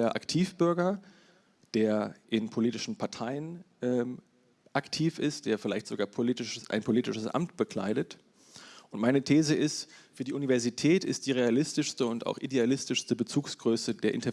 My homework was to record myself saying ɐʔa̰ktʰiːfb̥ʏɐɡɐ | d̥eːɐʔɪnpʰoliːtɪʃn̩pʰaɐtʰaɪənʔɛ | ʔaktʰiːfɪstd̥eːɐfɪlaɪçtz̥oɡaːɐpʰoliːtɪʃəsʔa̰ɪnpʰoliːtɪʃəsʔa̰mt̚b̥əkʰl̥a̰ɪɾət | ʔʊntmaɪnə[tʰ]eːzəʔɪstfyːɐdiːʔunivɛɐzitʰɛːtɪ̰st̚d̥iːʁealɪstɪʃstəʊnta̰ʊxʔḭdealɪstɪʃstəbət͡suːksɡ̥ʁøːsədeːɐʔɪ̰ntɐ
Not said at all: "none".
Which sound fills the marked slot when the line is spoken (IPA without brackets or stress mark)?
tʰ